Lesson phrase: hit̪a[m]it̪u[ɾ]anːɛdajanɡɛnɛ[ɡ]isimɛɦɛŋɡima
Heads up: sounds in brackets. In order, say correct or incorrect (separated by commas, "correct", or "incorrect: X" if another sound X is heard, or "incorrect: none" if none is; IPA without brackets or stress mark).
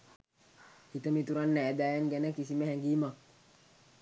correct, correct, incorrect: k